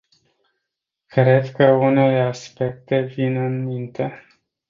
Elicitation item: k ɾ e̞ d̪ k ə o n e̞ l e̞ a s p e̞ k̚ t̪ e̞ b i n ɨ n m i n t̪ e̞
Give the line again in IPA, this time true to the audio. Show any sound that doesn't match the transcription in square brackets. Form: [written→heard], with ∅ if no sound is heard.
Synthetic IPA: k ɾ e̞ d̪ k ə [o→u] n e̞ l e̞ a s p e̞ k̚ t̪ e̞ [b→v] i n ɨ n m i n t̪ e̞